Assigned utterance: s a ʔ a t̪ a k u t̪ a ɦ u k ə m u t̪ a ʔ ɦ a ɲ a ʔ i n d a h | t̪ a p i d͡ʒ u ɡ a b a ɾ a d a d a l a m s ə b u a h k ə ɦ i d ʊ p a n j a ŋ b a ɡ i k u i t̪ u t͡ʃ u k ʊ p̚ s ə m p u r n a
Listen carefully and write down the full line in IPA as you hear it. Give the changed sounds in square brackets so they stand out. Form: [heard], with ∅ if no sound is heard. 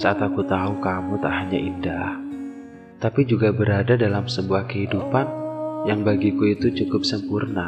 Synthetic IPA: s a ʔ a t̪ a k u t̪ a ɦ u k [a] m u t̪ a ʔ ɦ a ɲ a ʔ i n d a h | t̪ a p i d͡ʒ u ɡ a b [ə] ɾ a d a d a l a m s ə b u a h k ə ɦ i d [u] p a n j a ŋ b a ɡ i k u i t̪ u t͡ʃ u k ʊ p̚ s ə m p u r n a